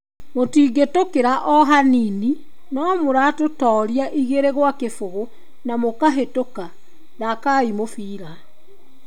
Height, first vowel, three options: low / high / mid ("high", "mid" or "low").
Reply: mid